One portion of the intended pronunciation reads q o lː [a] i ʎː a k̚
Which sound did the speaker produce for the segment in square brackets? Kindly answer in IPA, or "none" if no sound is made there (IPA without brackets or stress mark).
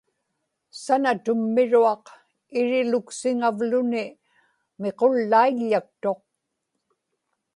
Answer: a